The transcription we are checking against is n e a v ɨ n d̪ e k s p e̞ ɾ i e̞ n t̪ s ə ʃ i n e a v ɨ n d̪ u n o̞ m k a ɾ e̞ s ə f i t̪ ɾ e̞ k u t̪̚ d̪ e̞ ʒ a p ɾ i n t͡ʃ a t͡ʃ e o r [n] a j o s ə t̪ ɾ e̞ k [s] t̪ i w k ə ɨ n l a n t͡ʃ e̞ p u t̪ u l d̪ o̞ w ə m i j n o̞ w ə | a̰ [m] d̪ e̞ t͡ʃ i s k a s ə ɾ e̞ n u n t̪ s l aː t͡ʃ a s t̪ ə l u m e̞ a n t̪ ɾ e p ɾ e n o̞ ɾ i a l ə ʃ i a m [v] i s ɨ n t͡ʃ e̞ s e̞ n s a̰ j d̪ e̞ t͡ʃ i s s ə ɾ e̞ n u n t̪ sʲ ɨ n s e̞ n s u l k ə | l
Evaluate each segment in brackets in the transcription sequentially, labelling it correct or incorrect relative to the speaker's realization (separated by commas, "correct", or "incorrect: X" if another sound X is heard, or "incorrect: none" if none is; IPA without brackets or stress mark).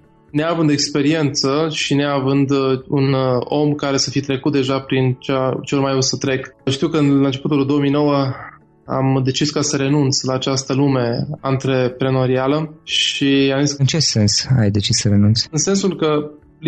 incorrect: m, incorrect: ʃ, correct, incorrect: z